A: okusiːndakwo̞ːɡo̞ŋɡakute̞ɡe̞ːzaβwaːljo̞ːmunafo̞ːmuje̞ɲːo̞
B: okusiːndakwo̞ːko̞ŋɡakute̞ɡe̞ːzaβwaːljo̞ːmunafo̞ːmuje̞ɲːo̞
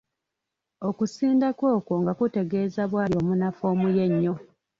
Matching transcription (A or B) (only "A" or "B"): B